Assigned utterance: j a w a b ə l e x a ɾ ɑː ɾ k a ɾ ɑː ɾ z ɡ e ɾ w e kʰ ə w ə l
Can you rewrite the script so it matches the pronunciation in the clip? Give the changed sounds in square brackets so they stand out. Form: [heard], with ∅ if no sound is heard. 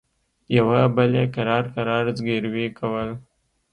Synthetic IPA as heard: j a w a b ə l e [k] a ɾ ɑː ɾ k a ɾ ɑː ɾ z ɡ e ɾ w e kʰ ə w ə l